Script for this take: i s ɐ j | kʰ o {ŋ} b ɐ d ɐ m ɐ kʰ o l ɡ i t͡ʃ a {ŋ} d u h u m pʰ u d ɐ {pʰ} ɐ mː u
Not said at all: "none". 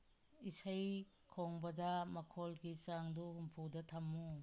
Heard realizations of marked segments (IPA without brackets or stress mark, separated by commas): ŋ, ŋ, tʰ